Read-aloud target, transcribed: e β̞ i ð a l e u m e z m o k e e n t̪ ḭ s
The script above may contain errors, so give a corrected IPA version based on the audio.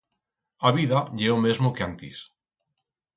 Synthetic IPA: a β̞ i ð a ʎ e o m e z m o k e a n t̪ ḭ s